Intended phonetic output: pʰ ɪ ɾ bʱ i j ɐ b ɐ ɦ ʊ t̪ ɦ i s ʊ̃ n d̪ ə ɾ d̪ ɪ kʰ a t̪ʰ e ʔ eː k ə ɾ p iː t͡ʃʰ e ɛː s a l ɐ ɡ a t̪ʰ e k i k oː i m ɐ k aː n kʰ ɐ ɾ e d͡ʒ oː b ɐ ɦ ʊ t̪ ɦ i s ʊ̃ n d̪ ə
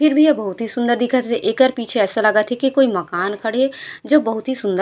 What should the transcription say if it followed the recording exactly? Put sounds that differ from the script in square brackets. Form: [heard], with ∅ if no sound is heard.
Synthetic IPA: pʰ ɪ ɾ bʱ i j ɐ b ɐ ɦ ʊ t̪ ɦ i s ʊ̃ n d̪ ə ɾ d̪ ɪ kʰ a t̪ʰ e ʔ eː k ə ɾ p iː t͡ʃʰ e ɛː s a l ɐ ɡ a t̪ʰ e k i k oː i m ɐ k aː n kʰ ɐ [ɽ] e d͡ʒ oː b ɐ ɦ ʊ t̪ ɦ i s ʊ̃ n d̪ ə